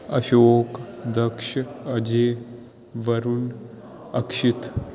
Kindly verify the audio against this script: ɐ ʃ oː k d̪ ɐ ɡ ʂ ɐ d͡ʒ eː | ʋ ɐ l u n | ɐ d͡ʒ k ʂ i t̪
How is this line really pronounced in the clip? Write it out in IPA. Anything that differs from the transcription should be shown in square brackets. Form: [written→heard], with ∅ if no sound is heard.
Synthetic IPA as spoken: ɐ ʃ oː k d̪ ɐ [ɡ→k] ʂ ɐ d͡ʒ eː | ʋ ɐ [l→ɾ] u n | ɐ [d͡ʒ→∅] k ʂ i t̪